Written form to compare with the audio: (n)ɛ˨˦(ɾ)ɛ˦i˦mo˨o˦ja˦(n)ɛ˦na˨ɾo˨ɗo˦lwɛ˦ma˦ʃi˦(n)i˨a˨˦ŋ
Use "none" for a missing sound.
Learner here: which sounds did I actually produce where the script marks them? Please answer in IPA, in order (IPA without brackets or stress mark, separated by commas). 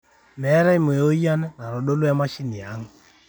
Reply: m, ɾ, n, n